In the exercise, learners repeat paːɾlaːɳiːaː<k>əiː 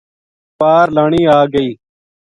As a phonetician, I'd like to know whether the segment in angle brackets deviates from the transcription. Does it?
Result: yes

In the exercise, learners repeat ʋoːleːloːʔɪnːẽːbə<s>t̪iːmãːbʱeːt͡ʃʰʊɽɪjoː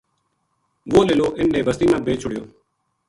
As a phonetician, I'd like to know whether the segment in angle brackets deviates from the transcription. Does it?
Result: no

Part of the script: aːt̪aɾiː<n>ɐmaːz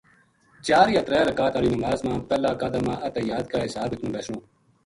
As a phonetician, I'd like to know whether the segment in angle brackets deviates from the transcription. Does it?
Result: no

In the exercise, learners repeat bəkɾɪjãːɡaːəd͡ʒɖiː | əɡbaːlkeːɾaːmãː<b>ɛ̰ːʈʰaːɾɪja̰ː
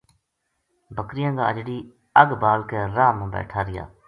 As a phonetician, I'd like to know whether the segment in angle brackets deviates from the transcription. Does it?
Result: no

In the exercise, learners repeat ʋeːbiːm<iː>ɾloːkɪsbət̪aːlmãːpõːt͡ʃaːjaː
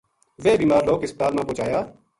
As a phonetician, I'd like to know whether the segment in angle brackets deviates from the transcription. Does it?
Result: yes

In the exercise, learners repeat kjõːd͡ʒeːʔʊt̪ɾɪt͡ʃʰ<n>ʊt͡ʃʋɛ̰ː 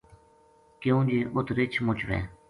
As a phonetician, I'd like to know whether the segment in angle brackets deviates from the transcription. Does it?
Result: yes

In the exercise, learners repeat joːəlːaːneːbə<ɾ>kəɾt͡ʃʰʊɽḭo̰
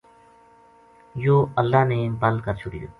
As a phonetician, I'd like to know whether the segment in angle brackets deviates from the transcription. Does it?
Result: yes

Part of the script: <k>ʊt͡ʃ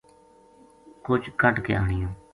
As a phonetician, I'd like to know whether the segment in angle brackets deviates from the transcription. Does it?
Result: no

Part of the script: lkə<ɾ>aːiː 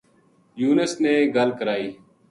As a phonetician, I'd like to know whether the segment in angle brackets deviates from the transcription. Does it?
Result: no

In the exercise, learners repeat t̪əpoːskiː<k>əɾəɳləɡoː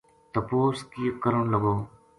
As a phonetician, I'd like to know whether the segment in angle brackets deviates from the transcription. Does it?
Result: no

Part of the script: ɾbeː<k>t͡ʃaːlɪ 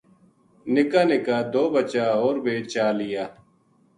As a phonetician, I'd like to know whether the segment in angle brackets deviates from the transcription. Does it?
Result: yes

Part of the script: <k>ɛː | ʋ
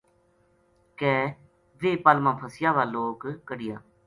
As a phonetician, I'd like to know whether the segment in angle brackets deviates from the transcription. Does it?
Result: no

